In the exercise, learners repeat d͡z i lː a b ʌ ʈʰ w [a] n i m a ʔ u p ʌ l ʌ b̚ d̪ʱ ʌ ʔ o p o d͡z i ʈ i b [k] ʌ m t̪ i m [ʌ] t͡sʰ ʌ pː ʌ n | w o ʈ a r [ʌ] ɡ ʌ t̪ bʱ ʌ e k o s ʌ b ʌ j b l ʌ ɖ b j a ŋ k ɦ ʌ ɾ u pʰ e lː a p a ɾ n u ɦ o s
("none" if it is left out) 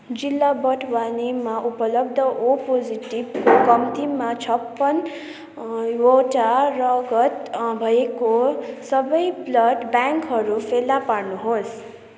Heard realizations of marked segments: a, k, a, ʌ

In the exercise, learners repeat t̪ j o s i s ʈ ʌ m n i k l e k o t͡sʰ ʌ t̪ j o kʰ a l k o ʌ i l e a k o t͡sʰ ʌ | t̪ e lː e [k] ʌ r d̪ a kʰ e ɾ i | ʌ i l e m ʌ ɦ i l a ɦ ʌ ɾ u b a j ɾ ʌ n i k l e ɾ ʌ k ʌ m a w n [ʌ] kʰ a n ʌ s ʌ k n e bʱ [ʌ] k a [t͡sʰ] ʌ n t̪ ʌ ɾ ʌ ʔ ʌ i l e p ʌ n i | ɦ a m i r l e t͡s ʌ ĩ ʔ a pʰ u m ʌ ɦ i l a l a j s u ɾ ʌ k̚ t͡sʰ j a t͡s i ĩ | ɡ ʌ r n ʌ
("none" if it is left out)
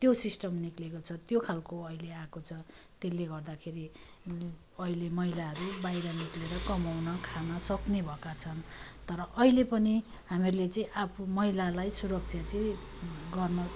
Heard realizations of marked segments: ɡ, ʌ, ʌ, t͡sʰ

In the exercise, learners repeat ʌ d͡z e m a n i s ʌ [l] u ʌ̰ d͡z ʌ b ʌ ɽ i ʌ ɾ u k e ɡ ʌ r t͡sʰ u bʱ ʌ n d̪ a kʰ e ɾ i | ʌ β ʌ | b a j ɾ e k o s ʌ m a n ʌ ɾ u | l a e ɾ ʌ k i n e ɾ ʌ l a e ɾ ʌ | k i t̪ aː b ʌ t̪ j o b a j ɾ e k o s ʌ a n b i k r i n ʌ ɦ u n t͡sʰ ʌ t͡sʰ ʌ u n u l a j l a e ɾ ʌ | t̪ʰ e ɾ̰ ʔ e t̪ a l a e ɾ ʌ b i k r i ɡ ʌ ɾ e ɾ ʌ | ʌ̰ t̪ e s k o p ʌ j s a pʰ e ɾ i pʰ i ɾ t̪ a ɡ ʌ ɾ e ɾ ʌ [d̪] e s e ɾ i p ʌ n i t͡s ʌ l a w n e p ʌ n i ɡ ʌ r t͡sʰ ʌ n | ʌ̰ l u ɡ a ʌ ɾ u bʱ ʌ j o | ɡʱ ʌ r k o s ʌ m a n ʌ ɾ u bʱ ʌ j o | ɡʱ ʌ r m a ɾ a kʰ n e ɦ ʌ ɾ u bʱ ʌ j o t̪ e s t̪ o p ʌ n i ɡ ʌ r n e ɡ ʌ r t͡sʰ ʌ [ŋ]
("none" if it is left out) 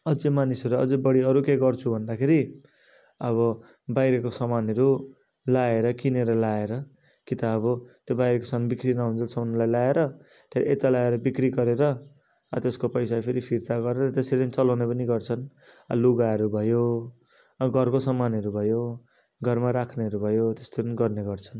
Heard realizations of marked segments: ɾ, t̪, n

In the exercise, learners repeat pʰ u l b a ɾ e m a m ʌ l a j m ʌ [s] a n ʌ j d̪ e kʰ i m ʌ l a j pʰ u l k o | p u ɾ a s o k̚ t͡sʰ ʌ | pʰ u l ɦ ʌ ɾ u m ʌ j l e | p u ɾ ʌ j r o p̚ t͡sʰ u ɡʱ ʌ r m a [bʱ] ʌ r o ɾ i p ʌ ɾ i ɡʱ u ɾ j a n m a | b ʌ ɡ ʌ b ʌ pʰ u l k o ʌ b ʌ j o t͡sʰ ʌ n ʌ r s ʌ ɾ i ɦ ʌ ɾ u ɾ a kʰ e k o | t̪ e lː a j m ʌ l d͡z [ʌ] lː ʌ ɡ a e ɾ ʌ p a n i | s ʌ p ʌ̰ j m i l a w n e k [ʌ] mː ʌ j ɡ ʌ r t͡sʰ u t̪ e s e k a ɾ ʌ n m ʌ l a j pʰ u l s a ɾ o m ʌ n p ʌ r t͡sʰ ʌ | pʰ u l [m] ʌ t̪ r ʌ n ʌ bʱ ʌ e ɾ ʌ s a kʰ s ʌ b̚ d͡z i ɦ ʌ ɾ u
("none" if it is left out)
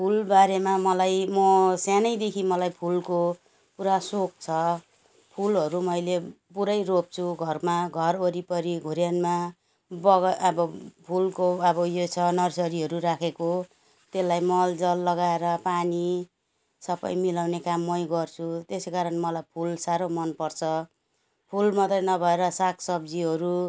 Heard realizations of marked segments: s, ɡʱ, ʌ, a, m

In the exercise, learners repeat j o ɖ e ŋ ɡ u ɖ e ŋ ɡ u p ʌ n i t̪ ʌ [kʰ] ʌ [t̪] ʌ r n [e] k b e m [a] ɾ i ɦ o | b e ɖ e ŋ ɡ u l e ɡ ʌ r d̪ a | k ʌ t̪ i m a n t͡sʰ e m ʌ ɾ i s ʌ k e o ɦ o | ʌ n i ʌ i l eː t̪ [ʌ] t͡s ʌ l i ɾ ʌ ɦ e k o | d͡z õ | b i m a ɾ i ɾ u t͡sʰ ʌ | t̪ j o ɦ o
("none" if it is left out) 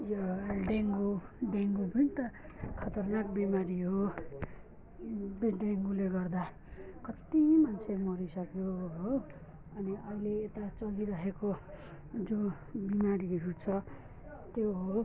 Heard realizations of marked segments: kʰ, t̪, a, a, a

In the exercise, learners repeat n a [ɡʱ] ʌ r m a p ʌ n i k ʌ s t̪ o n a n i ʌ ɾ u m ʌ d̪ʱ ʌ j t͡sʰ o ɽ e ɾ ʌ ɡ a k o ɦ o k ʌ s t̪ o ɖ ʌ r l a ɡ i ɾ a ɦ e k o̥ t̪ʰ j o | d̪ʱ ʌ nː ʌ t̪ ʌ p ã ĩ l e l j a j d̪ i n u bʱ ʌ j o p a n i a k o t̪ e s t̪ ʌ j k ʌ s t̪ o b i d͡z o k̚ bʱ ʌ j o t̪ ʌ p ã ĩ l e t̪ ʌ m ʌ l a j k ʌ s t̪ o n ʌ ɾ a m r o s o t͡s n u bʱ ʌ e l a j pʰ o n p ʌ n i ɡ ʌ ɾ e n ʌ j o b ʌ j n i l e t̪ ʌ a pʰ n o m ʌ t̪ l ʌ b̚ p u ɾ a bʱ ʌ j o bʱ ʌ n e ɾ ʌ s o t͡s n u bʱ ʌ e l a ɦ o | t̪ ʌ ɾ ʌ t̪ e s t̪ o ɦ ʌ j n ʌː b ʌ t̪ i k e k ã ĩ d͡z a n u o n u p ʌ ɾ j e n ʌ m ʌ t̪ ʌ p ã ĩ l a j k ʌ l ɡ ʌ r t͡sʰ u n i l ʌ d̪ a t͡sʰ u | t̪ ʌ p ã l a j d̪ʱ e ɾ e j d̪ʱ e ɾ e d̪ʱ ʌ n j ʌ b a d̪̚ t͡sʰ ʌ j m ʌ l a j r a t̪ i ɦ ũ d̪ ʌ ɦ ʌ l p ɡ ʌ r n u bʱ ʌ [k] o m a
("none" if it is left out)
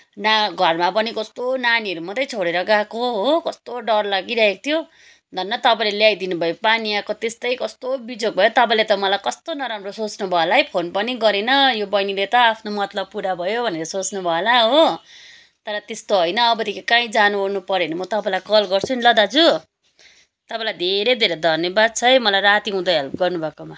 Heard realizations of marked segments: ɡʱ, k

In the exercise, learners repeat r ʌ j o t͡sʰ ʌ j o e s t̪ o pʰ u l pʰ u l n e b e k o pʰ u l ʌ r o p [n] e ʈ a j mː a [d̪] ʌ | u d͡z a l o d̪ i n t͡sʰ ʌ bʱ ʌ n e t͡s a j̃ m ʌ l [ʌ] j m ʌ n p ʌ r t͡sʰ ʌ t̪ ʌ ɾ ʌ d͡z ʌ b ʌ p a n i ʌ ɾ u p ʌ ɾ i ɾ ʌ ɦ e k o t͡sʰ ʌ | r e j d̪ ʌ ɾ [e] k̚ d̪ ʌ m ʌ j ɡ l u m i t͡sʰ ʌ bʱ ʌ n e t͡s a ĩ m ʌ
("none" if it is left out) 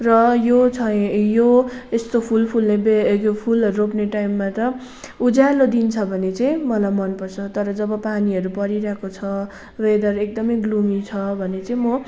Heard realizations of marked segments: n, t̪, a, e

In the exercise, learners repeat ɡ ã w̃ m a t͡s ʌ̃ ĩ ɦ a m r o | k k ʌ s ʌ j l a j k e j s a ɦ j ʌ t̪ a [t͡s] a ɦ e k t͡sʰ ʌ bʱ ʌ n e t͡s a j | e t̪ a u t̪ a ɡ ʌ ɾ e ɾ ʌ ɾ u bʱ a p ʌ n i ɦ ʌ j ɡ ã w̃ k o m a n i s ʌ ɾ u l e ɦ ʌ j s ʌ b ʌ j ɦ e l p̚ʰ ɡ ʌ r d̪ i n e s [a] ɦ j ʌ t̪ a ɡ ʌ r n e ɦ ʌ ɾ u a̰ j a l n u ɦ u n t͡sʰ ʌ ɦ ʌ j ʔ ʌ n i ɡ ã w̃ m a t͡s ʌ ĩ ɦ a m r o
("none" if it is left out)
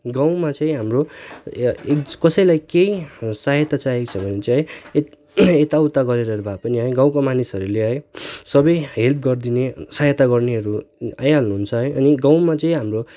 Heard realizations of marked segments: t͡s, a

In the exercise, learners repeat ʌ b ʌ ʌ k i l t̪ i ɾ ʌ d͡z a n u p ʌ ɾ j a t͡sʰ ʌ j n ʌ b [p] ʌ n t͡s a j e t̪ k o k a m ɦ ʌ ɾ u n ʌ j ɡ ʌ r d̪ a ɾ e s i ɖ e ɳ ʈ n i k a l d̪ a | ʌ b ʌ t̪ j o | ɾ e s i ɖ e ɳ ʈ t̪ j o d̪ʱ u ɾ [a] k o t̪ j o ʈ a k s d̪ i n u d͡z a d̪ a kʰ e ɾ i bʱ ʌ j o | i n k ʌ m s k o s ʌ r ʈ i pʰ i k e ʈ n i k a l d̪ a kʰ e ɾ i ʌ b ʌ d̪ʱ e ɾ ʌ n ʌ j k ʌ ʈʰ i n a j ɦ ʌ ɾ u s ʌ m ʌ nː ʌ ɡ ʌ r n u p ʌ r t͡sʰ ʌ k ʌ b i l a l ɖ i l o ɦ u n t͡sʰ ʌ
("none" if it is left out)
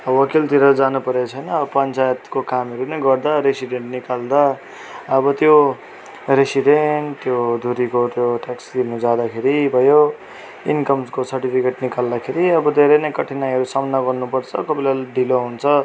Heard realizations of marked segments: p, i

